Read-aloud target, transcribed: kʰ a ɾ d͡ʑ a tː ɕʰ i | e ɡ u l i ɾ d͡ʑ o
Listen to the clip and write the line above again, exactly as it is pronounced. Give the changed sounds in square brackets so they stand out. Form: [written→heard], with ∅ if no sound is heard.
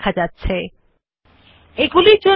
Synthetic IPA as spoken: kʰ a [ɾ→∅] d͡ʑ a tː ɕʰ [i→e] | e ɡ u l i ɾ d͡ʑ o